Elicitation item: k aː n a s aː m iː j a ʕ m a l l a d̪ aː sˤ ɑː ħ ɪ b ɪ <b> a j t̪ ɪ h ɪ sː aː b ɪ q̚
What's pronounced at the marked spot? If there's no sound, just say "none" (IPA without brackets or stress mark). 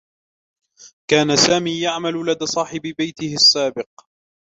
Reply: b